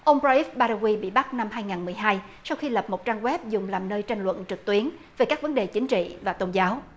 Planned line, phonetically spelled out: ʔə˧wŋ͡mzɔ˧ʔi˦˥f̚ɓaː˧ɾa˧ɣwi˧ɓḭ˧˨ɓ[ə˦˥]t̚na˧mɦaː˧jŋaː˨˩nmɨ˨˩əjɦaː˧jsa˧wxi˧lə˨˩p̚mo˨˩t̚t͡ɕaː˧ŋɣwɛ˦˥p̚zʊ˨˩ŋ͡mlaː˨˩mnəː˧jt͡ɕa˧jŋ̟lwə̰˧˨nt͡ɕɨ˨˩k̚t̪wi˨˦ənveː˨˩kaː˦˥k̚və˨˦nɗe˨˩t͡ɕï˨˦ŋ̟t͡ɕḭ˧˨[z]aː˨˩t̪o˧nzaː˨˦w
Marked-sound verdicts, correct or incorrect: incorrect: a˦˥, incorrect: v

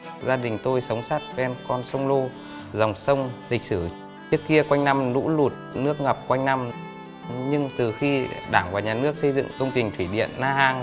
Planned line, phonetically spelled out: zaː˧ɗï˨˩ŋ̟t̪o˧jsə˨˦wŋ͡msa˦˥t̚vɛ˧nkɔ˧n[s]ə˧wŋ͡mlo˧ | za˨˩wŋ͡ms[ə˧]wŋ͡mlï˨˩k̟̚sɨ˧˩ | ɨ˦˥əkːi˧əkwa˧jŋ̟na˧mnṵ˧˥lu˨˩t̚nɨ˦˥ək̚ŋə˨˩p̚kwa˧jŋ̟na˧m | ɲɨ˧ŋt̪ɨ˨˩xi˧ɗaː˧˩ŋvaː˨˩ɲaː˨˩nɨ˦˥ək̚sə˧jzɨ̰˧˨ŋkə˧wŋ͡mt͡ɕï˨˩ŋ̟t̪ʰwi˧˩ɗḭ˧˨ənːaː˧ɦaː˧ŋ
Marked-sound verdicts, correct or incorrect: correct, correct

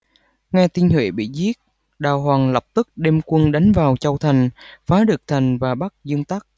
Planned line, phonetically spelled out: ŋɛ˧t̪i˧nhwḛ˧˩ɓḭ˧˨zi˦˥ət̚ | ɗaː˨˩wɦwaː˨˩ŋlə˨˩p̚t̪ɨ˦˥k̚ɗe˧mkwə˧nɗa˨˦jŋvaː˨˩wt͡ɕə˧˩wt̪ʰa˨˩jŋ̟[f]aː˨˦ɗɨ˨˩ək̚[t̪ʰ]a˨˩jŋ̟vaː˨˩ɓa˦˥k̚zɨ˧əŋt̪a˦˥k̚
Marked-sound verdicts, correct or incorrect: correct, correct

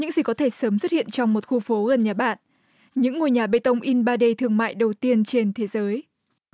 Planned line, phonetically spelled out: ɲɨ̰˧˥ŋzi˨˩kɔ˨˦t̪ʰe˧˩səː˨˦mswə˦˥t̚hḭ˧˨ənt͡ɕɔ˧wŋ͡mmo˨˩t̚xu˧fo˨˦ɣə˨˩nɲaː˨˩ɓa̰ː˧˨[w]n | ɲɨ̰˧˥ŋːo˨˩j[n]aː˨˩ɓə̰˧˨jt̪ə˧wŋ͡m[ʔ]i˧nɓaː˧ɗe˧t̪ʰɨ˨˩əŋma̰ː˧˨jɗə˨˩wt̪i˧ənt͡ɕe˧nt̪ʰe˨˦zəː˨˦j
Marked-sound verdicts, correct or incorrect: incorrect: none, incorrect: ɲ, correct

